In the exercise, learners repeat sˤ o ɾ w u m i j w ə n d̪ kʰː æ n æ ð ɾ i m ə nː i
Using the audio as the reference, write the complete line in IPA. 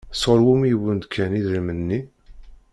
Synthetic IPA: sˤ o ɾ w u m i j w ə n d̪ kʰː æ n i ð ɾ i m ə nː i